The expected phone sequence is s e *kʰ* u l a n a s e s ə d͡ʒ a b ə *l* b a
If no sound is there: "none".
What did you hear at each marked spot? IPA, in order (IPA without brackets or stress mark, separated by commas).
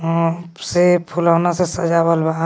pʰ, l